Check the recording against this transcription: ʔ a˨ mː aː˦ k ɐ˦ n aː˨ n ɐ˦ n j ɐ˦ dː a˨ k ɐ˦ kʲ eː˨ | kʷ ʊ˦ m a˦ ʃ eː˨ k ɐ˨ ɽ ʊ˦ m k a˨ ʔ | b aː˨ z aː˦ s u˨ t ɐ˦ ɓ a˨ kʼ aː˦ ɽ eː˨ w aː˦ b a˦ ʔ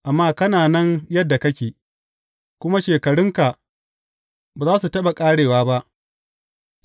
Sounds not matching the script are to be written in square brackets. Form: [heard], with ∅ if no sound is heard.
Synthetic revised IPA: ʔ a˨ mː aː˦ k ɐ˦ n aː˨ n ɐ˦ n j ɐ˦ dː a˨ k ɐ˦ kʲ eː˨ | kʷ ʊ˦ m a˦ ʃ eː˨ k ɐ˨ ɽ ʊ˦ [ŋ] k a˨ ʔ | b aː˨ z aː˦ s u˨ t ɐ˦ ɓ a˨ kʼ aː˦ ɽ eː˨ w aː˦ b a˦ ʔ

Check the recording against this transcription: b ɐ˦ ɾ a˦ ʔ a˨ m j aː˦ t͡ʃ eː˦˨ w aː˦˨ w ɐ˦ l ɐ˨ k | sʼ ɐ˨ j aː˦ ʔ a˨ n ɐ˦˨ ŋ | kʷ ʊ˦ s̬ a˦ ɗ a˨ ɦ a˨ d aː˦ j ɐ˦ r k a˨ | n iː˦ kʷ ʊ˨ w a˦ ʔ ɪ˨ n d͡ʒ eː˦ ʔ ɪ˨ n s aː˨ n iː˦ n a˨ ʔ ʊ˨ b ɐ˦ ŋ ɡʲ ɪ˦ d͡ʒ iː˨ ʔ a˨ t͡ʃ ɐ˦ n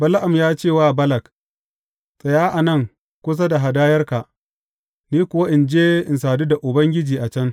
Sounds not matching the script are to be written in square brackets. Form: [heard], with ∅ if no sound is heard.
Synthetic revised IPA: b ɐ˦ [l] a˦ ʔ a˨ m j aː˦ t͡ʃ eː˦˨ w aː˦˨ [b] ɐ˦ l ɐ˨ k | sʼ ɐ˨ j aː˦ ʔ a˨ n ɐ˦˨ ŋ | kʷ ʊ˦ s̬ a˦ [d] a˨ ɦ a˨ d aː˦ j ɐ˦ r k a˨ | n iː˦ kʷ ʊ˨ w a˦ ʔ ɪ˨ n d͡ʒ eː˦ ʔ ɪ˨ n s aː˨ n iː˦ [d] a˨ ʔ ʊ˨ b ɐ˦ ŋ ɡʲ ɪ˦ d͡ʒ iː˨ ʔ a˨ t͡ʃ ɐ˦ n

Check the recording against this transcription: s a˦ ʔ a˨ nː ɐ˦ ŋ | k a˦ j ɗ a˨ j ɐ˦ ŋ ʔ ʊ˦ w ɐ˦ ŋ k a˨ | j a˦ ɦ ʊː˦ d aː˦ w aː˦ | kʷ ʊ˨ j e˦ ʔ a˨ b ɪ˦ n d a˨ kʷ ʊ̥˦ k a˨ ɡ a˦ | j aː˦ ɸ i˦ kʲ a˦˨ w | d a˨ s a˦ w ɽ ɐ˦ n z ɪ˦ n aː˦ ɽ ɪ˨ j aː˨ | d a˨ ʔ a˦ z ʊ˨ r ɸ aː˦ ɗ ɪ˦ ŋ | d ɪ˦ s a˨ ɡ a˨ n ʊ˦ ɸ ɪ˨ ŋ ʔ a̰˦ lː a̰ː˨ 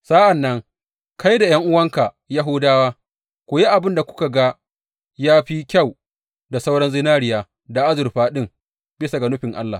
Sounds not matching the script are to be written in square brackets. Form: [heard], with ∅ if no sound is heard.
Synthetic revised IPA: s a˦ ʔ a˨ nː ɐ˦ ŋ | k a˦ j [d] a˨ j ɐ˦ ŋ ʔ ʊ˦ w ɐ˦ ŋ k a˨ | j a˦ ɦ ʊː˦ d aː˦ w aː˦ | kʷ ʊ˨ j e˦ ʔ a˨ b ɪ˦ n d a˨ kʷ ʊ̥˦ k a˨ ɡ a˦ | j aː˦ ɸ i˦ kʲ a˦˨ w | d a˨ s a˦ w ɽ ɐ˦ n z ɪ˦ n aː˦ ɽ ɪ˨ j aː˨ | d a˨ ʔ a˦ z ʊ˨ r ɸ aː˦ ɗ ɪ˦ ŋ | [b] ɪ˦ s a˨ ɡ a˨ n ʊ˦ ɸ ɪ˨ ŋ ʔ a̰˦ lː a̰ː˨

